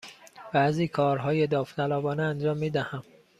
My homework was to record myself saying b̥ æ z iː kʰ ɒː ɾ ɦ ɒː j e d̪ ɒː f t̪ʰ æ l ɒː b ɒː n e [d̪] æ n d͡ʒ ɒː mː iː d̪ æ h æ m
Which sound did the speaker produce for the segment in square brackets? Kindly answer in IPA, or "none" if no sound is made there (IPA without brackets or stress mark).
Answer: none